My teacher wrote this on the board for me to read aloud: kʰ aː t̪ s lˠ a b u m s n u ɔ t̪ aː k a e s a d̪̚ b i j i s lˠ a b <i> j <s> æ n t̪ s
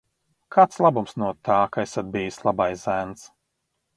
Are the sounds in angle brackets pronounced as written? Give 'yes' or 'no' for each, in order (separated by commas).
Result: no, no